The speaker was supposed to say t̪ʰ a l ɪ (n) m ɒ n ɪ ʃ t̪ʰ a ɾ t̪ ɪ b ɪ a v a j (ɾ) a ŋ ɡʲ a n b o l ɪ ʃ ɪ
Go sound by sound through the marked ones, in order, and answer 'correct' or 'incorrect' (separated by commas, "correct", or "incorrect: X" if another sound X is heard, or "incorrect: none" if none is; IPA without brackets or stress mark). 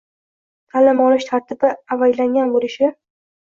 incorrect: none, incorrect: l